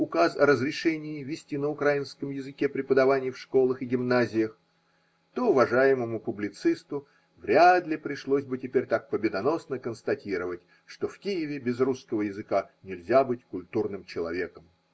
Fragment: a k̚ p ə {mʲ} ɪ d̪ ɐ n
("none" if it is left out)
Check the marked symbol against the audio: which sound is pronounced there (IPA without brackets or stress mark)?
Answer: bʲ